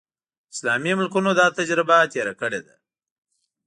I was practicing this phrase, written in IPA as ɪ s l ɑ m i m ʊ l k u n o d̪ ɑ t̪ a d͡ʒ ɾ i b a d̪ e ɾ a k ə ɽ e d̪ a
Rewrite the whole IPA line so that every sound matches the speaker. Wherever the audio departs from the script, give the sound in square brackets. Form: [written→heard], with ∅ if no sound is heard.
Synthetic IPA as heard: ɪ s l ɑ m i m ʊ l k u n o d̪ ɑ t̪ a d͡ʒ ɾ [i→ɪ] b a [d̪→t̪] e ɾ a k ə ɽ e d̪ a

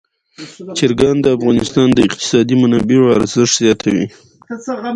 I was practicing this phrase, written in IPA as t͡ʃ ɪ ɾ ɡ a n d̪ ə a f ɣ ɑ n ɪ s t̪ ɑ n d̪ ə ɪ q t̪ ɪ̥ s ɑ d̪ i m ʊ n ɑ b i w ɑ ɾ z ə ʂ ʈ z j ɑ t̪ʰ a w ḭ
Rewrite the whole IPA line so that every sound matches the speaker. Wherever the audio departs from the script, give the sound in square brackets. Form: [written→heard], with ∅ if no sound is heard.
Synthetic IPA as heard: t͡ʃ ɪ ɾ ɡ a n d̪ ə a f ɣ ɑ n ɪ s t̪ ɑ n d̪ ə ɪ q t̪ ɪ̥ s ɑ d̪ i m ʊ n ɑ b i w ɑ ɾ z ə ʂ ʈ z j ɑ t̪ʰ a w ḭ

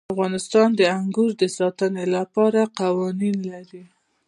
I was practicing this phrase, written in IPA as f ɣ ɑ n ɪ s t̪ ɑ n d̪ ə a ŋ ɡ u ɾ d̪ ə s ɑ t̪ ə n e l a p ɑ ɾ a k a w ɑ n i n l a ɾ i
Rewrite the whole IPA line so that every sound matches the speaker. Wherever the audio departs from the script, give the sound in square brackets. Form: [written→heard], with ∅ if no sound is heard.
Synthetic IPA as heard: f ɣ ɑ n ɪ s t̪ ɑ n d̪ ə a ŋ ɡ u ɾ d̪ ə s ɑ t̪ ə n e l a p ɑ ɾ a [k→q] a w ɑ n i n l a ɾ i

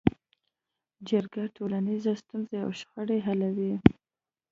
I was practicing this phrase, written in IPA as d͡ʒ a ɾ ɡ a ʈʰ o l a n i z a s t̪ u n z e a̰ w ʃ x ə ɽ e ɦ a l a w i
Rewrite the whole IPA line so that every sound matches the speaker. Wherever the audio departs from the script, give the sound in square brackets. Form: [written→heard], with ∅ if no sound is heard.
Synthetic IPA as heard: d͡ʒ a ɾ ɡ a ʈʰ o l a n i z a s t̪ u n z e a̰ w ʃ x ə ɽ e ɦ a l a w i

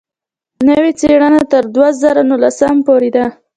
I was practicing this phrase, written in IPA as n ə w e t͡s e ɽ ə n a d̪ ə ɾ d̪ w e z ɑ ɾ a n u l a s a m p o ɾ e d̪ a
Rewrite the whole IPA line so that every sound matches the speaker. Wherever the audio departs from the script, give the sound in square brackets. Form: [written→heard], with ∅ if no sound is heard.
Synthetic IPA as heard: n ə w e t͡s e ɽ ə n a [d̪→t̪] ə ɾ d̪ w [e→a] z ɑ ɾ a n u l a s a m p o ɾ e d̪ a

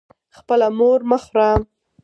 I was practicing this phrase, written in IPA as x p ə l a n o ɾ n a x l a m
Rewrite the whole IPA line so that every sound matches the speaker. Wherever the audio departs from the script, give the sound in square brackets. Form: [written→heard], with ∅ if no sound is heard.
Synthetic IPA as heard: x p ə l a [n→m] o ɾ [n→m] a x [l→ɾ] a m

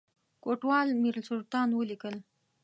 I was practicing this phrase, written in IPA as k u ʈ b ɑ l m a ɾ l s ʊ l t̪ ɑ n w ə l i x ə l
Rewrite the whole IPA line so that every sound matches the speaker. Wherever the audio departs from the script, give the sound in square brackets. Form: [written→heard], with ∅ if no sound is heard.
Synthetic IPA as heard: k [u→o] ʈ [b→w] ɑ l m [a→i] ɾ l s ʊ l t̪ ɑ n w ə l i [x→k] ə l

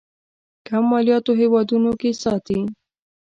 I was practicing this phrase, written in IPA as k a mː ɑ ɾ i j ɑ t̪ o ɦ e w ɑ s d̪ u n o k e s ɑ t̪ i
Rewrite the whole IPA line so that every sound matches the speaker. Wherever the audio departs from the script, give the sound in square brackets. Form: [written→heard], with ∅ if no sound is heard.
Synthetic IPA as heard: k a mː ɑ [ɾ→l] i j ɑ t̪ o ɦ e w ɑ [s→∅] d̪ u n o k e s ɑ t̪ i

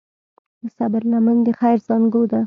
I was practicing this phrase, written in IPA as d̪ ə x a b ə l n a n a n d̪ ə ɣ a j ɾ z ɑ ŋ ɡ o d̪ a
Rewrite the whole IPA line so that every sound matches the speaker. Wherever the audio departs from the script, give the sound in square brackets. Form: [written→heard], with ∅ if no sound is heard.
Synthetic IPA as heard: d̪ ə [x→s] a b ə [l→ɾ] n a [n→m] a n d̪ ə [ɣ→x] a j ɾ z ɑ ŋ ɡ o d̪ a

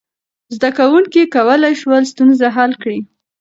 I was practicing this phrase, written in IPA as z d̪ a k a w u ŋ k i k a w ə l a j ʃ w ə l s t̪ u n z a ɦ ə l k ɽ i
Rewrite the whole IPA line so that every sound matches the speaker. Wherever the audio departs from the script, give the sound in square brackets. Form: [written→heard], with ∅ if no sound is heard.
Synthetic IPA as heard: z d̪ a k a w u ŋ k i k a w ə l a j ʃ w ə l s t̪ u n z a ɦ [ə→a] l k ɽ i

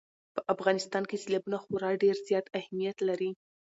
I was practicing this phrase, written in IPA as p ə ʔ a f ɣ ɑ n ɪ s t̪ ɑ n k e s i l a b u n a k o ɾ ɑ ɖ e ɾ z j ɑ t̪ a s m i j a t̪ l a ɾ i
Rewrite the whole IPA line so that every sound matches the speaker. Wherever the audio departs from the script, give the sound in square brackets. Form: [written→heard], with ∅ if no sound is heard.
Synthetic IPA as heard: p ə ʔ a f ɣ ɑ n ɪ s t̪ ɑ n k e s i l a b u n a [k→x] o ɾ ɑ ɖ e ɾ z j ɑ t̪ a [s→h] m i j a t̪ l a ɾ i

